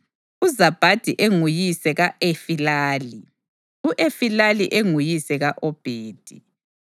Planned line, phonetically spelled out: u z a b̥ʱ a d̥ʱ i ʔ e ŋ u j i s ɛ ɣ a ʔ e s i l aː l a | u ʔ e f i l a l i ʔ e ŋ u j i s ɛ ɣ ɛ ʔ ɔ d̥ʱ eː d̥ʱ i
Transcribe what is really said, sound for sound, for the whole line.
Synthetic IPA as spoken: u z a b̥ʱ a d̥ʱ i ʔ e ŋ u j i s ɛ ɣ a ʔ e f i l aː l i | u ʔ e f i l a l i ʔ e ŋ u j i s ɛ ɣ a ʔ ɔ b̥ʱ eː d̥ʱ i

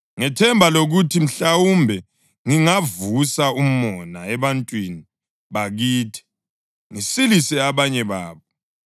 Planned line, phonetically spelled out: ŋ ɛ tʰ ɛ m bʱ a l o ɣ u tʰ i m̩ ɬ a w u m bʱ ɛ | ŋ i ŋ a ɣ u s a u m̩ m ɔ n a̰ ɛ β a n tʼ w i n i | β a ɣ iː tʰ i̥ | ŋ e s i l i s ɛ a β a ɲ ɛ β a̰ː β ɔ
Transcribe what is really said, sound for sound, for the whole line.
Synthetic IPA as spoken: ŋ ɛ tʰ ɛ m bʱ a l o ɣ u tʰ i m̩ ɬ a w u m bʱ ɛ | ŋ i ŋ a v u s a u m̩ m ɔ n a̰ ɛ β a n tʼ w i n i | β a ɣ iː tʰ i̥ | ŋ i s i l i s ɛ a β a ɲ ɛ β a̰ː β ɔ

